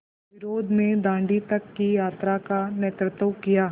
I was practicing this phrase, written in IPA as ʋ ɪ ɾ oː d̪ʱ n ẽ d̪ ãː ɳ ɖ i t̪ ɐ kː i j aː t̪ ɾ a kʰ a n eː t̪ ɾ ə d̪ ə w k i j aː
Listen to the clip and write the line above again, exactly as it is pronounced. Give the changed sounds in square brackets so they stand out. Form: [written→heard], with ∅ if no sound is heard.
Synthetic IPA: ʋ ɪ ɾ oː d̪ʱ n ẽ d̪ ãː ɳ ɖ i t̪ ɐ kː i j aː t̪ ɾ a [kʰ→k] a n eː t̪ ɾ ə [d̪→t̪] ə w k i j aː